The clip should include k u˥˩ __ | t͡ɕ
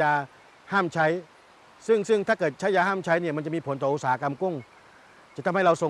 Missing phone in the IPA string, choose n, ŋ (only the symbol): ŋ